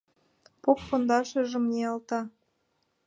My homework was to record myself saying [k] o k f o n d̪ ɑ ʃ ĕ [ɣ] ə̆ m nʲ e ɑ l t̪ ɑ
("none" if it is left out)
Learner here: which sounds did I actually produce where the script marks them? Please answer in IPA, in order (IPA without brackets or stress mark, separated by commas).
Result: p, ʒ